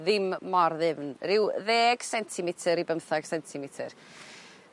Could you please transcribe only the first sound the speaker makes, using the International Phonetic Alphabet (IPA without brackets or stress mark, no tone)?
ð